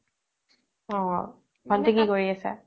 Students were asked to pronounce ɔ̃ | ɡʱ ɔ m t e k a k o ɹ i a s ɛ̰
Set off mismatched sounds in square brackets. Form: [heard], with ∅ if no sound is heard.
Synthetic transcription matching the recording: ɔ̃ | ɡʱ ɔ [n] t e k [i] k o ɹ i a s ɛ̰